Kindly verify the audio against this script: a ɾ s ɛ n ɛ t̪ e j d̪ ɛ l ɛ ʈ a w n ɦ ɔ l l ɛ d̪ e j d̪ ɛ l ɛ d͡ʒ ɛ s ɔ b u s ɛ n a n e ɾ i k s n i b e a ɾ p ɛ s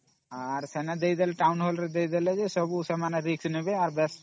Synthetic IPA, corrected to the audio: a ɾ s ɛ n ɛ d̪ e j d̪ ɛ l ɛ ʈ a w n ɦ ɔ l ɾ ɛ d̪ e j d̪ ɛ l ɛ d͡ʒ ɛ s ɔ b u s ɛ m a n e ɾ i k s n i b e a ɾ b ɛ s